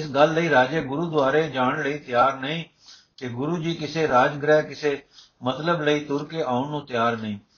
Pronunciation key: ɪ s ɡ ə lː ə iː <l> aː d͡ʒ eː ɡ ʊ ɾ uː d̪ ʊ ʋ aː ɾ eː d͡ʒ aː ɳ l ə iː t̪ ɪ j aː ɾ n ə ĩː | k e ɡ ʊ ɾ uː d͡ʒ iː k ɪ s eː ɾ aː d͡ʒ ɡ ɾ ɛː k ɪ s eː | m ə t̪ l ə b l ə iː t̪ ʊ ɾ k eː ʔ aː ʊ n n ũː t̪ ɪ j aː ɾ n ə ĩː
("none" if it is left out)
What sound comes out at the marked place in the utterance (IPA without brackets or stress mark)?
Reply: ɾ